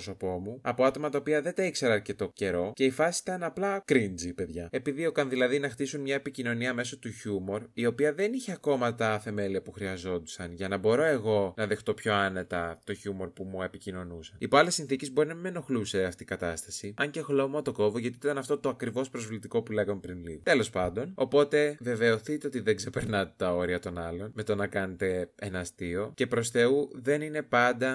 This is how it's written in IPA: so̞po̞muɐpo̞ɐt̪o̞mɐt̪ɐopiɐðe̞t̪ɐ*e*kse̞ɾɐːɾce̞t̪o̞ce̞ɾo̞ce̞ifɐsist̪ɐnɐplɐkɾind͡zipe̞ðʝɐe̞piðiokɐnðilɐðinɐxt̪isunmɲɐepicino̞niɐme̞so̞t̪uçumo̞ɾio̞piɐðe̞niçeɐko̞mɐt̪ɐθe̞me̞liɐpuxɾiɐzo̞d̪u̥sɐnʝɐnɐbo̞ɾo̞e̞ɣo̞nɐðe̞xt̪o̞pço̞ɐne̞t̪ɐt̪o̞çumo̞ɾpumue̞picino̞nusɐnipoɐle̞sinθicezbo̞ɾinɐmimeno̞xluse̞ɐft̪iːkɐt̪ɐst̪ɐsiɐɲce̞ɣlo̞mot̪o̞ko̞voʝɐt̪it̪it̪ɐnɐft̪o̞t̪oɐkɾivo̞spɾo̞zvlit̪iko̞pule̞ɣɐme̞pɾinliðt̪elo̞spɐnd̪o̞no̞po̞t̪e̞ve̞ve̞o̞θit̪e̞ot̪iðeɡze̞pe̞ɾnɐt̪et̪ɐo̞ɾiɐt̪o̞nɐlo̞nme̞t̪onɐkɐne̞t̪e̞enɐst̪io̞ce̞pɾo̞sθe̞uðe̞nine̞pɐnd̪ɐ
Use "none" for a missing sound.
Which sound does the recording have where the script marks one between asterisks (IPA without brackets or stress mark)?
i